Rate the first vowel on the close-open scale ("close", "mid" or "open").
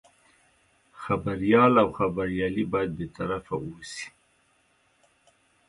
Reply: open